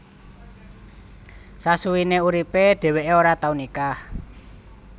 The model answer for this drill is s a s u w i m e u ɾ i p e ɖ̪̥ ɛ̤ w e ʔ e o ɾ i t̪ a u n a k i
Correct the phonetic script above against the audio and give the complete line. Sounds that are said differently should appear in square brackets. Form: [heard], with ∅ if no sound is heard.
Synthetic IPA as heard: s a s u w i [n] e u ɾ i p e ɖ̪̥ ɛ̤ w e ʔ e o ɾ [a] t̪ a u n [i] k [a]